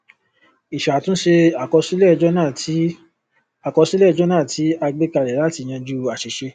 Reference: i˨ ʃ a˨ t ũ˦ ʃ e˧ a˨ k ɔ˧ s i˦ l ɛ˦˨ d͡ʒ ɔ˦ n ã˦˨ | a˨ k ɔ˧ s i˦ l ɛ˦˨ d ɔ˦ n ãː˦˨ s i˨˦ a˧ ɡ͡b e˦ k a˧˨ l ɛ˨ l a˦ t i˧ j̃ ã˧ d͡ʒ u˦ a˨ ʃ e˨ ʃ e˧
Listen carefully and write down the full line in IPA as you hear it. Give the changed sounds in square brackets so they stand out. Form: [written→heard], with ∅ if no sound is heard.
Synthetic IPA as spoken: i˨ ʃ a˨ t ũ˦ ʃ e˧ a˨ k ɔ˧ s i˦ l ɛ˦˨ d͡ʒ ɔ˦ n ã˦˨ | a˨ k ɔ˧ s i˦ l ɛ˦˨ [d→d͡ʒ] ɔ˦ n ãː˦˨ [s→t] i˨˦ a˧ ɡ͡b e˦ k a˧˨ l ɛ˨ l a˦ t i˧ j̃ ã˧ d͡ʒ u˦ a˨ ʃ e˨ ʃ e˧

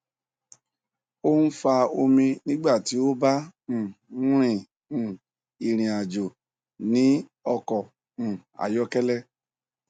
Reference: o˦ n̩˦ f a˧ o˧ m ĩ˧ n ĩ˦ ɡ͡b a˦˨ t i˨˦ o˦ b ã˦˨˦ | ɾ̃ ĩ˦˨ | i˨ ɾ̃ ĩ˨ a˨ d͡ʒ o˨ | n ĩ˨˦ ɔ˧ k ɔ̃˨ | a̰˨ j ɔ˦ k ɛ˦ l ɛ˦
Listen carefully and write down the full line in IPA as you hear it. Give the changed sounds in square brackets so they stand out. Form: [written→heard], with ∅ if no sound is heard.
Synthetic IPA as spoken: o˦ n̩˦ f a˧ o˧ m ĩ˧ n ĩ˦ ɡ͡b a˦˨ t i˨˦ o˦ b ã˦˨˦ | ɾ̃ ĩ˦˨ | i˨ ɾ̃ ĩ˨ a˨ d͡ʒ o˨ | n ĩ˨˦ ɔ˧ k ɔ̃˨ | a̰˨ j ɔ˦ k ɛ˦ l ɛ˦

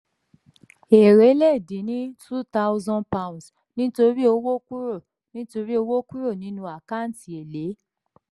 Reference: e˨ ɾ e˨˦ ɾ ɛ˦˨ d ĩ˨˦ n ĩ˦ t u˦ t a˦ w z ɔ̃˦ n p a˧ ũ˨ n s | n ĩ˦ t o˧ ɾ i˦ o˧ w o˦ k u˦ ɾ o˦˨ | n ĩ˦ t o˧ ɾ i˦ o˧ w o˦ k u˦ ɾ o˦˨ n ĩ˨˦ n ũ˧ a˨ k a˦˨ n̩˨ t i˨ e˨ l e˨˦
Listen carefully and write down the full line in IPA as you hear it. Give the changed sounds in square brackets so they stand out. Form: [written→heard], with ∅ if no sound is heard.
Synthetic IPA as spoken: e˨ ɾ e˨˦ [ɾ→l] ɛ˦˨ d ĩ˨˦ n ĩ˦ t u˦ t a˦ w z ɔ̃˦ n p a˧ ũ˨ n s | n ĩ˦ t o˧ ɾ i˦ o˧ w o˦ k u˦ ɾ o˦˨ | n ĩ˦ t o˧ ɾ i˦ o˧ w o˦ k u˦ ɾ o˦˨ n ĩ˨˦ n ũ˧ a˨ k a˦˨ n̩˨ t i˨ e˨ l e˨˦

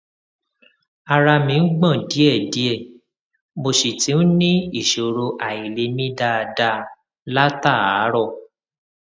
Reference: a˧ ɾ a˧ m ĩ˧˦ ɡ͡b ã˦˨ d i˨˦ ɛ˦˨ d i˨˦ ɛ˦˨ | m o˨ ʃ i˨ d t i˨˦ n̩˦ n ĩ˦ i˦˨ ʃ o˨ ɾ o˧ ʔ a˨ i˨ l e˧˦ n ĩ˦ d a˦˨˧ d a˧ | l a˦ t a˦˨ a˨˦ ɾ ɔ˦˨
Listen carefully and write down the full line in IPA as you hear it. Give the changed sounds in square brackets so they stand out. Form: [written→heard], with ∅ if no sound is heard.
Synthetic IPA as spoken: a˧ ɾ a˧ m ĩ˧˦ ɡ͡b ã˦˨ d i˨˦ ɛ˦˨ d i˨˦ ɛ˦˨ | m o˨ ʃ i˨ [d→∅] t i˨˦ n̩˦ n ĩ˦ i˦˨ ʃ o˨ ɾ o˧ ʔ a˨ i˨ l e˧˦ [n→m] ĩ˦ d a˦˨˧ d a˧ | l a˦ t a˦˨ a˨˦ ɾ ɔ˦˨

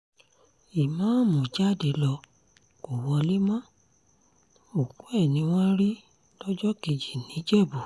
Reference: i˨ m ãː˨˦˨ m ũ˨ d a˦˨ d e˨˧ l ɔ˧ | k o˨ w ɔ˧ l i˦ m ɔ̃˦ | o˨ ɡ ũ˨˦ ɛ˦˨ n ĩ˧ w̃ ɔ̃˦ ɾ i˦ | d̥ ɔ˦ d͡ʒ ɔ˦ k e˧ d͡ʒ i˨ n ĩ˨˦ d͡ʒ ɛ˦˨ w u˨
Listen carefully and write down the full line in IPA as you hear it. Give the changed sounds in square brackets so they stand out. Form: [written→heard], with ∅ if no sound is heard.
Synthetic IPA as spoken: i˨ m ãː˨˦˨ m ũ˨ [d→d͡ʒ] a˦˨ d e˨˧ l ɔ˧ | k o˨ w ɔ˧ l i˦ m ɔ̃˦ | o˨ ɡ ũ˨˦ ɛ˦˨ n ĩ˧ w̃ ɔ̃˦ ɾ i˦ | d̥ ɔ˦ d͡ʒ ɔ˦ k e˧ d͡ʒ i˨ n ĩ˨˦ d͡ʒ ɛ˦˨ [w→b] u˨

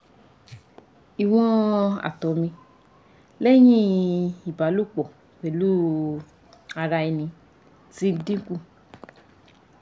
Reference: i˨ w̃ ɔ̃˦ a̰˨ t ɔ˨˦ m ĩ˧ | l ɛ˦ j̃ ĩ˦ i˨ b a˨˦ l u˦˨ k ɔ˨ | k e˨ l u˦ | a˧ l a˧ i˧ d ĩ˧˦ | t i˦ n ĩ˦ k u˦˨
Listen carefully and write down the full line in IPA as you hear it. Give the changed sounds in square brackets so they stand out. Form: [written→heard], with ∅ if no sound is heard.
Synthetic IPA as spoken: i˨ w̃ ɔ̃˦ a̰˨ t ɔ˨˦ m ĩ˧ | l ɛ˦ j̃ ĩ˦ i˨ b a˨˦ l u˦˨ [k→k͡p] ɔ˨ | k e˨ l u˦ | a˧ [l→ɾ] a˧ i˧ [d→n] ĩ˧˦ | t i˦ [n→d] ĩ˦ k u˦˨

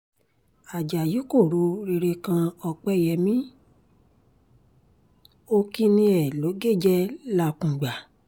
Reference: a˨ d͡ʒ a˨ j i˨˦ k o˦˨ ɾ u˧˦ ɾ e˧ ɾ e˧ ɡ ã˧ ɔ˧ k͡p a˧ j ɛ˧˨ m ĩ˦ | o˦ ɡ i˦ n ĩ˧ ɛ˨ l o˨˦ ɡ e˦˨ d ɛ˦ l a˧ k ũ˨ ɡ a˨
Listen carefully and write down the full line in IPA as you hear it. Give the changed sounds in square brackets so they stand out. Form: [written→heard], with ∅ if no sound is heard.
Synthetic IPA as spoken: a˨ d͡ʒ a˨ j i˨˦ k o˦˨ ɾ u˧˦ ɾ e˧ ɾ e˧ [ɡ→k] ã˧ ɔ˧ k͡p [a˧→ɛ˧] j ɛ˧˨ m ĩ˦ | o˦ [ɡ→k] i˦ n ĩ˧ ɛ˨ l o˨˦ ɡ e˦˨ [d→d͡ʒ] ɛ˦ l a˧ k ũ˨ [ɡ→ɡ͡b] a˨

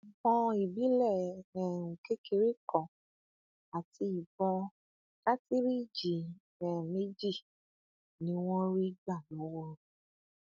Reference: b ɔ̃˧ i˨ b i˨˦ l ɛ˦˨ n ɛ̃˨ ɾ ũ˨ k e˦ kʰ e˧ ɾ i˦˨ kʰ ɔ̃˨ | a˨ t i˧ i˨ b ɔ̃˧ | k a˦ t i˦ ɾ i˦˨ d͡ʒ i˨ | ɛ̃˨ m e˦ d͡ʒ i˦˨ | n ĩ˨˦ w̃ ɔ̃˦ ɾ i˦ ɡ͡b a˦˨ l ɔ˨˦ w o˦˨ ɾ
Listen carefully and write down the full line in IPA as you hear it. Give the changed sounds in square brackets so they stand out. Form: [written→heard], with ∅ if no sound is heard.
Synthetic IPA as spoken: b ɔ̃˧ i˨ b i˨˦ l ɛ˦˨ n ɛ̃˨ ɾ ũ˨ k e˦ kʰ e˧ ɾ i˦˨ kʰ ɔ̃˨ | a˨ t i˧ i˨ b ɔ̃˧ | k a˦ t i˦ ɾ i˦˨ d͡ʒ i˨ | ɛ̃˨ m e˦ d͡ʒ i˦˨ | n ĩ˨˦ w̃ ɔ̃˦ ɾ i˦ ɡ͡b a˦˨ l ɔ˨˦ w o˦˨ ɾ

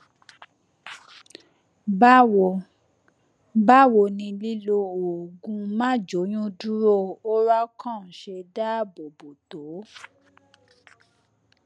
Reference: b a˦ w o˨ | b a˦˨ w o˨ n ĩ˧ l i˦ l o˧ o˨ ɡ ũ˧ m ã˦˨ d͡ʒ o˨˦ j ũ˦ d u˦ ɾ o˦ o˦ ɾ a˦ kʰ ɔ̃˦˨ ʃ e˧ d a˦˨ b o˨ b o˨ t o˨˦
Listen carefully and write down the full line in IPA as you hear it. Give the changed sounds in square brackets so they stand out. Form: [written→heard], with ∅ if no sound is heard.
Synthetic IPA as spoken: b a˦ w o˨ | b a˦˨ w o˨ n ĩ˧ l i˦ l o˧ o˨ ɡ ũ˧ m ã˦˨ d͡ʒ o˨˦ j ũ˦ d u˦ ɾ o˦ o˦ ɾ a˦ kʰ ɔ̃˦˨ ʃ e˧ d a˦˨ b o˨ b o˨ t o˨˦

